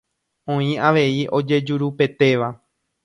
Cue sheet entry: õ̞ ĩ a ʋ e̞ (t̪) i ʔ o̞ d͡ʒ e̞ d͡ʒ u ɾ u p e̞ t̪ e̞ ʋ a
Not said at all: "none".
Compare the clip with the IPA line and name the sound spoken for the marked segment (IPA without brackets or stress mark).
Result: none